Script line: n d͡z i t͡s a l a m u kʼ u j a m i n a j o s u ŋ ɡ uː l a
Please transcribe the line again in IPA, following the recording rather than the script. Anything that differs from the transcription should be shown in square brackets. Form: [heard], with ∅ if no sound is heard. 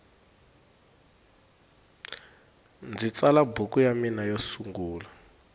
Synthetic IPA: n d͡z i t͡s a l a [b] u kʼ u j a m i n a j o s u ŋ ɡ uː l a